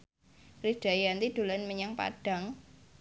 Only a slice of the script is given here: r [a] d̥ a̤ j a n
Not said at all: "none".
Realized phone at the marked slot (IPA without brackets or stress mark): i